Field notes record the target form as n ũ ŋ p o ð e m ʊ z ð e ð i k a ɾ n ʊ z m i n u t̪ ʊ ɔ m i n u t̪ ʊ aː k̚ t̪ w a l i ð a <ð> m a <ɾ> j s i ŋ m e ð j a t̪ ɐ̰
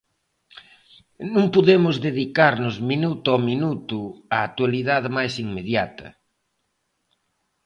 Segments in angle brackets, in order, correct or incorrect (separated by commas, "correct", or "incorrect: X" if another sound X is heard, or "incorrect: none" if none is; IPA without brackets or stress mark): correct, incorrect: none